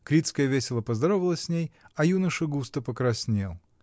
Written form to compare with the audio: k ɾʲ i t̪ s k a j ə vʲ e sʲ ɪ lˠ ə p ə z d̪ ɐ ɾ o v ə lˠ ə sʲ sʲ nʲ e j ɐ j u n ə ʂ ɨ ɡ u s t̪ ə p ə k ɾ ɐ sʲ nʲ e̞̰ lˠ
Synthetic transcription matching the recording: k ɾʲ i t̪ s k ə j ə vʲ e sʲ ɪ lˠ ə p ə z d̪ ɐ ɾ o v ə lˠ ə sʲ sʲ nʲ e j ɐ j u n ə ʂ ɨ ɡ u s t̪ ə p ə k ɾ ɐ sʲ nʲ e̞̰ lˠ